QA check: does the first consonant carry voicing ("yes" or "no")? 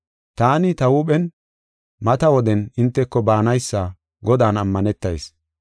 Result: no